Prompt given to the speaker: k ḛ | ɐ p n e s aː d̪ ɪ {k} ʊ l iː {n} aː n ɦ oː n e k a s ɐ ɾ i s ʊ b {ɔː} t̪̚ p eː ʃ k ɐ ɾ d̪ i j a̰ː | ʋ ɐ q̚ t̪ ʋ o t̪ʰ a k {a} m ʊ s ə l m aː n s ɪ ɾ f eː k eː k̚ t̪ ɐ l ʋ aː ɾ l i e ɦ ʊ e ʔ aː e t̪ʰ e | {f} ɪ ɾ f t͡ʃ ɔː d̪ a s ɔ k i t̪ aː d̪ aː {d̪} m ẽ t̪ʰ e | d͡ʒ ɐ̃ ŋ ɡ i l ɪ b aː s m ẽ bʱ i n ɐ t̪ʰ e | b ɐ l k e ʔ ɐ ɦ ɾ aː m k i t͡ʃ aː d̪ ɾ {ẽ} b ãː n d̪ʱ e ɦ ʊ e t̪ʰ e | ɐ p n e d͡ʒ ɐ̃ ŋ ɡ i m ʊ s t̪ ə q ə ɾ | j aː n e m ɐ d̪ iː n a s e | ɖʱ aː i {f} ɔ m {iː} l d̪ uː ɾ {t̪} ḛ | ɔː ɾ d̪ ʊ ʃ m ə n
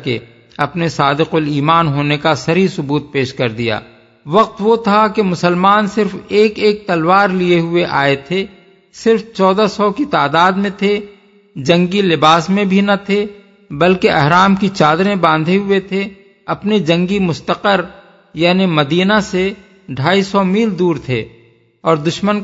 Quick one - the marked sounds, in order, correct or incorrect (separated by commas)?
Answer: incorrect, incorrect, incorrect, incorrect, incorrect, correct, correct, incorrect, correct, incorrect